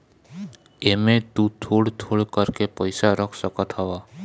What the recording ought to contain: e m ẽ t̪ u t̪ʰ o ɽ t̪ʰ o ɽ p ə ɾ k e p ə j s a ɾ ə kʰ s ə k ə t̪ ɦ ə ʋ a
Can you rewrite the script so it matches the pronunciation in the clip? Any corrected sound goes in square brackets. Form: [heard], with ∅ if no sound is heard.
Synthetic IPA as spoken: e m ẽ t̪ u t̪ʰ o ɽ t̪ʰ o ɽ [k] ə ɾ k e p ə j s a ɾ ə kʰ s ə k ə t̪ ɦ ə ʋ a